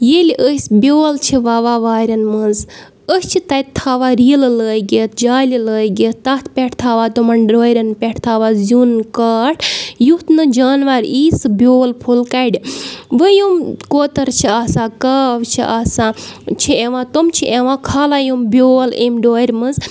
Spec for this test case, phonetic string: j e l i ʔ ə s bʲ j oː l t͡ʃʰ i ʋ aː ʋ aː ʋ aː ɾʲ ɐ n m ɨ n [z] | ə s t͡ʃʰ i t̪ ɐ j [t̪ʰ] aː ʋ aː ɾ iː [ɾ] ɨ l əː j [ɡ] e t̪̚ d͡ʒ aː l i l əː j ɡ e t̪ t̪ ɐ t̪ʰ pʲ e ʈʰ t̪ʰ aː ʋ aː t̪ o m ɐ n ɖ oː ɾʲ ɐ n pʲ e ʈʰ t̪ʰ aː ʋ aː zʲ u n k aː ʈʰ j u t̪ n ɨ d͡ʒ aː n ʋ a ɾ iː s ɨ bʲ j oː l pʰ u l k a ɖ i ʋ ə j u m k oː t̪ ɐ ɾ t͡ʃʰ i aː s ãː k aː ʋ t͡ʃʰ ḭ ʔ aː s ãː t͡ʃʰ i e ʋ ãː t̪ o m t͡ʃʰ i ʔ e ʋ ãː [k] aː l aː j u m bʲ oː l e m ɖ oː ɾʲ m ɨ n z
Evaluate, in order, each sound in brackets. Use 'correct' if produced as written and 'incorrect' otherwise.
correct, correct, incorrect: l, correct, incorrect: kʰ

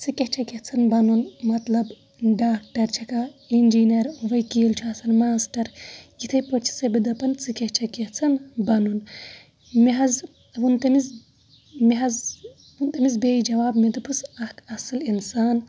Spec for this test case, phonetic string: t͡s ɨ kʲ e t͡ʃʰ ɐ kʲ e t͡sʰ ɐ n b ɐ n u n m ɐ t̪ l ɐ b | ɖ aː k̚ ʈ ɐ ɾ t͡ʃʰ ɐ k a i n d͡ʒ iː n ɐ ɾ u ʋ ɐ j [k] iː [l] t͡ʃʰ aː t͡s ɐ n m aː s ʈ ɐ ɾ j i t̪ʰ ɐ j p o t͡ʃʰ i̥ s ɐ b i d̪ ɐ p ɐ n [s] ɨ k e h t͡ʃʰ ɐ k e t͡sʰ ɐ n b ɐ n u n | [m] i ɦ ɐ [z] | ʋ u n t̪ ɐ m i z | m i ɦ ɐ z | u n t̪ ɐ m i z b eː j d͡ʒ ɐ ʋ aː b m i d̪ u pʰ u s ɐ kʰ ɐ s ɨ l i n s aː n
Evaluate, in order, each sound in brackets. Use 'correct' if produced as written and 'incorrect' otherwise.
correct, correct, incorrect: t͡s, correct, correct

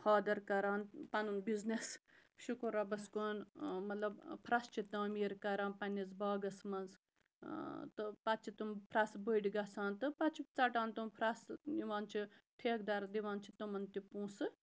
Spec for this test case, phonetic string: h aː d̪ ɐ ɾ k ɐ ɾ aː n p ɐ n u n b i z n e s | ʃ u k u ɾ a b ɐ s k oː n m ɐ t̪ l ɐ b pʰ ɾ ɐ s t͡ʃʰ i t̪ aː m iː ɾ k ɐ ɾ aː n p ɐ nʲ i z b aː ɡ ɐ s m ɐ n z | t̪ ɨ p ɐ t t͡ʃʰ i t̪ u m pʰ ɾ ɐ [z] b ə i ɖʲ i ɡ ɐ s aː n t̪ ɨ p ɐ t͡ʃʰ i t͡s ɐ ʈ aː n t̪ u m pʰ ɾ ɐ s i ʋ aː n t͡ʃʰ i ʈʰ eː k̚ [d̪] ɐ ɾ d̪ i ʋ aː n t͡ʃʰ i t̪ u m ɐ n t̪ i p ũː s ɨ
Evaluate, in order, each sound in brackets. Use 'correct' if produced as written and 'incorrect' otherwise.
incorrect: s, correct

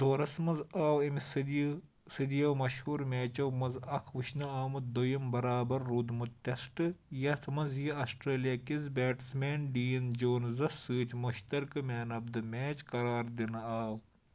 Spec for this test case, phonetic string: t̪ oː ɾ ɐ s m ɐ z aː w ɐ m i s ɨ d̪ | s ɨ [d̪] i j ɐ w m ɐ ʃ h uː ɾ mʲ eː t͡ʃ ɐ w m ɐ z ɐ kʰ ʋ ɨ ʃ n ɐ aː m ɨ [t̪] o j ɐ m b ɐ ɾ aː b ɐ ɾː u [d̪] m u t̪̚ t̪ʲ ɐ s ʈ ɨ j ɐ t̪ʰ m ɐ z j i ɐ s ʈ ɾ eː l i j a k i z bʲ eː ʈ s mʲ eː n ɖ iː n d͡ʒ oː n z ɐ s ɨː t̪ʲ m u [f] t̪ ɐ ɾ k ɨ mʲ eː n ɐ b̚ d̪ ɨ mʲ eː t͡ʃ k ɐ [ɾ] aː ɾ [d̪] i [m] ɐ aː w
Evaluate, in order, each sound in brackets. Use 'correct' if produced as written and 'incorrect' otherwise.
correct, incorrect: d̪, correct, incorrect: ʃ, correct, correct, incorrect: n

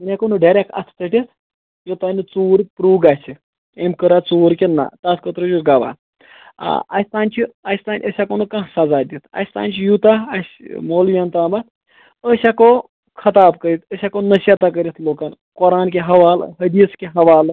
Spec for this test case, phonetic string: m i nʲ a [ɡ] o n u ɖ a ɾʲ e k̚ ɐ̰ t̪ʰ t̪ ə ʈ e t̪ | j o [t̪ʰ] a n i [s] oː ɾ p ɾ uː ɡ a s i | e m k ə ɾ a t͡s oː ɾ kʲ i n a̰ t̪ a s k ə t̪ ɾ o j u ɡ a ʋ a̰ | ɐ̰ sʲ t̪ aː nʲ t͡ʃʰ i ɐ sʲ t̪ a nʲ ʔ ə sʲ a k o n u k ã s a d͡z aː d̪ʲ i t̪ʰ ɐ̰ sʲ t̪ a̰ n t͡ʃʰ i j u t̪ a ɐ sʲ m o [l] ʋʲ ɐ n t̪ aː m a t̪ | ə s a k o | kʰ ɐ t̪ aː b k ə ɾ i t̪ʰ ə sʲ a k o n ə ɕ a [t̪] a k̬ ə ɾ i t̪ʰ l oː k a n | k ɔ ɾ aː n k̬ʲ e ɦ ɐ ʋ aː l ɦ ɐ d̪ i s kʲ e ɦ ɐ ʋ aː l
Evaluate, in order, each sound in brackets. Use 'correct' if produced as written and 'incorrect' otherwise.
incorrect: k, incorrect: t̪, incorrect: t͡s, correct, correct

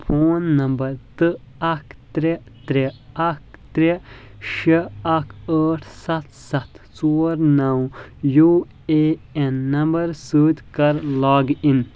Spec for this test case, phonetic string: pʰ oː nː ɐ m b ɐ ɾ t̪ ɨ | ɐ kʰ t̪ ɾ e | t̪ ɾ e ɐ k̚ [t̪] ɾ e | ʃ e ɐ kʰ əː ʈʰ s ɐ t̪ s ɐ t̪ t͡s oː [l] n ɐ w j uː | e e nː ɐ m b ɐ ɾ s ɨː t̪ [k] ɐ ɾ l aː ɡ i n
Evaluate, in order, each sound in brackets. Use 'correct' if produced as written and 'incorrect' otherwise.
correct, incorrect: ɾ, correct

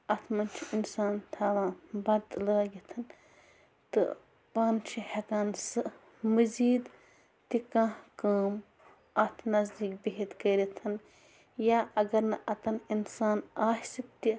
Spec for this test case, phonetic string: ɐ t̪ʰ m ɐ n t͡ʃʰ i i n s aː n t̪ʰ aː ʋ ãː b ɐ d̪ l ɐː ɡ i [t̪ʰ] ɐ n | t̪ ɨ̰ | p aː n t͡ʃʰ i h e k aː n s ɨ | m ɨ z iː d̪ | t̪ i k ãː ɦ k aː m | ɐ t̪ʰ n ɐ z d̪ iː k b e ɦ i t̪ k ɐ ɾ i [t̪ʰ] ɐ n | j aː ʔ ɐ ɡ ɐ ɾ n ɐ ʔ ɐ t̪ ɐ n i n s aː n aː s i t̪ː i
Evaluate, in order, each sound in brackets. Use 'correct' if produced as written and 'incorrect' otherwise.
correct, correct

